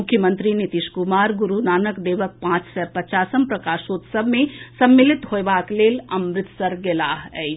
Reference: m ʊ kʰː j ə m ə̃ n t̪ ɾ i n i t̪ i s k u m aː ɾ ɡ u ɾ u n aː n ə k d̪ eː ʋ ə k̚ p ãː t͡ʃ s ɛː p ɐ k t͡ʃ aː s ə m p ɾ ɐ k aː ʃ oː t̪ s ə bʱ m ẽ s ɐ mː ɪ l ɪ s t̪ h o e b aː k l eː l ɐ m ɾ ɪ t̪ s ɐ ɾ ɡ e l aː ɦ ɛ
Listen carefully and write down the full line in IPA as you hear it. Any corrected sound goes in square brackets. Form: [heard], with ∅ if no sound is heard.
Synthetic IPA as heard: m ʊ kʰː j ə m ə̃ n t̪ ɾ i n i t̪ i [ʃ] k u m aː ɾ ɡ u ɾ u n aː n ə k d̪ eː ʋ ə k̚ p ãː t͡ʃ s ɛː p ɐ [∅] t͡ʃ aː s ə m p ɾ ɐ k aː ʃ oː t̪ s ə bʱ m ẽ s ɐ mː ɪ l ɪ [∅] t̪ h o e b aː k l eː l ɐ m ɾ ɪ t̪ s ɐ ɾ ɡ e l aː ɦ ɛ